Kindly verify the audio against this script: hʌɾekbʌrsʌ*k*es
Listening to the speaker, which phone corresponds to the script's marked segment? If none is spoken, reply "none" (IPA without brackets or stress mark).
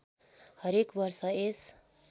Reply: none